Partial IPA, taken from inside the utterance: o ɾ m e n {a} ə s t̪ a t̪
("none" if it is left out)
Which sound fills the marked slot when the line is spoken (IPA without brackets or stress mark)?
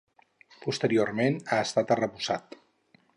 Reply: a